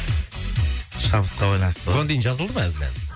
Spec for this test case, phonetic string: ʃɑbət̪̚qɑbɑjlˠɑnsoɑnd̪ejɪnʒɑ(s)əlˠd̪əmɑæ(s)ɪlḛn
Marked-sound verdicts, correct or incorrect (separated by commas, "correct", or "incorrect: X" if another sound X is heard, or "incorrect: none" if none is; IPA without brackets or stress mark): incorrect: z, incorrect: z